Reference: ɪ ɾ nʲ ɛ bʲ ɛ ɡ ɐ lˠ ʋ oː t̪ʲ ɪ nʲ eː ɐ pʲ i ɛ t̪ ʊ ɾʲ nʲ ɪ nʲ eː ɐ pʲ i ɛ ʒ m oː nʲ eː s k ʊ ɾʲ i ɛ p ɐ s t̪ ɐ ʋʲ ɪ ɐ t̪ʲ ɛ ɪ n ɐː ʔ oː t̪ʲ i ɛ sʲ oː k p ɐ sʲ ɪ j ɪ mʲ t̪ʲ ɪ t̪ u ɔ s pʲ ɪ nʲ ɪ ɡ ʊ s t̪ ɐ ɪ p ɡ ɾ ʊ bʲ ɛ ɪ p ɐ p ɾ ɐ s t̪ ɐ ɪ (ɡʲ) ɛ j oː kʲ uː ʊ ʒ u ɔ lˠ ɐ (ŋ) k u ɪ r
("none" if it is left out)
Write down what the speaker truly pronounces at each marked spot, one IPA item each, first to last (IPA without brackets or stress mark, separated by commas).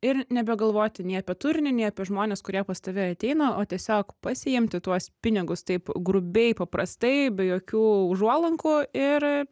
bʲ, ŋ